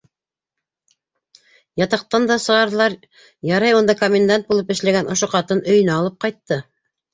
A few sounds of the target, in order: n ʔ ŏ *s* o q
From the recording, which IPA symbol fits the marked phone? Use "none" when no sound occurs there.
ʃ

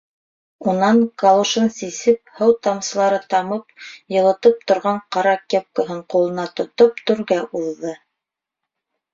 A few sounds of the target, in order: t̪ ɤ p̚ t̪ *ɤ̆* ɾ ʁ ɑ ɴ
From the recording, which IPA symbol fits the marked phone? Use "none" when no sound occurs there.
ŏ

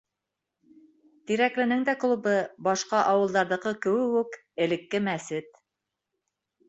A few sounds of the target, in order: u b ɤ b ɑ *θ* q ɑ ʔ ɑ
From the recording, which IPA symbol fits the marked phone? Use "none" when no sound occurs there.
ʃ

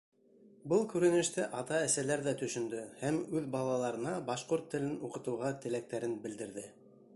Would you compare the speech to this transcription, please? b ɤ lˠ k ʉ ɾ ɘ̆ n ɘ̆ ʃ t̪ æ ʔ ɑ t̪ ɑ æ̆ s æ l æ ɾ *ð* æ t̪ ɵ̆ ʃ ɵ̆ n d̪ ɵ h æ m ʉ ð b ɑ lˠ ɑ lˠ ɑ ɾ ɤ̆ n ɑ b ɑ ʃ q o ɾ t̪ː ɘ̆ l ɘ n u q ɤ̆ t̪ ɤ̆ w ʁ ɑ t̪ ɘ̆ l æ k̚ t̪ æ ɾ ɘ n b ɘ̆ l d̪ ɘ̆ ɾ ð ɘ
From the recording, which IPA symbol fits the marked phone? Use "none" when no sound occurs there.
ð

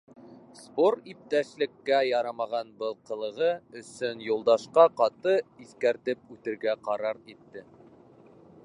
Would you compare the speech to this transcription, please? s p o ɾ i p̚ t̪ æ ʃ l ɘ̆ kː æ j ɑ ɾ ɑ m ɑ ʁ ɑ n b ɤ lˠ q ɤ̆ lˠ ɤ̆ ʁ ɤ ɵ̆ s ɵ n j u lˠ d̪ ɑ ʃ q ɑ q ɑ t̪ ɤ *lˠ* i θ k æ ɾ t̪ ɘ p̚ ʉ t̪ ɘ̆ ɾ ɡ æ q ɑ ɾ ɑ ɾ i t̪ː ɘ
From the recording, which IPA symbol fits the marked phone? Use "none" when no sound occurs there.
none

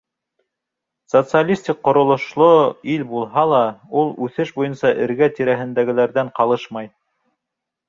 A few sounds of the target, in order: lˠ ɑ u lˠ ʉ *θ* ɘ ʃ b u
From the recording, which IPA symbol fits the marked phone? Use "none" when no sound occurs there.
θ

